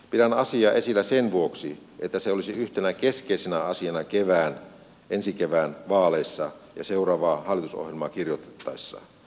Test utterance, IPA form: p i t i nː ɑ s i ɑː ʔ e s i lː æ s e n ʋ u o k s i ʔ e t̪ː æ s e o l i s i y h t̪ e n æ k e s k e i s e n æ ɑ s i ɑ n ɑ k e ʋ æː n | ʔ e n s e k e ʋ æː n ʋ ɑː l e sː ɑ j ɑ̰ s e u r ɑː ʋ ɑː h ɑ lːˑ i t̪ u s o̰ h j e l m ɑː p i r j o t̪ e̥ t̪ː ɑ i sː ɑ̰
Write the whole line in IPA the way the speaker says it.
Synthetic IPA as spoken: p i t æ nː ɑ s i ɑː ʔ e s i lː æ s e n ʋ u o k s i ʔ e t̪ː æ s e o l i s i y h t̪ e n æ k e s k e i s e n æ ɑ s i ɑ n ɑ k e ʋ æː n | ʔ e n s i k e ʋ æː n ʋ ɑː l e sː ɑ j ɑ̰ s e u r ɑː ʋ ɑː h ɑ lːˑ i t̪ u s o̰ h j e l m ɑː k i r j o t̪ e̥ t̪ː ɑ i sː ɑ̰